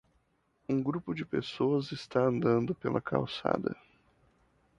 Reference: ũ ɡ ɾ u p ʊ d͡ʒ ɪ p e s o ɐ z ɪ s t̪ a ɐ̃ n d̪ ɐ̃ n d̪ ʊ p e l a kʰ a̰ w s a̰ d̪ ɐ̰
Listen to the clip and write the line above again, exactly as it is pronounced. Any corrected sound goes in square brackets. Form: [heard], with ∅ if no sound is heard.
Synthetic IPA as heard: ũ ɡ ɾ u p ʊ d͡ʒ ɪ p e s o ɐ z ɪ s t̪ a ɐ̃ n d̪ ɐ̃ n d̪ ʊ p e l [ɐ] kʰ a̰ w s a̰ d̪ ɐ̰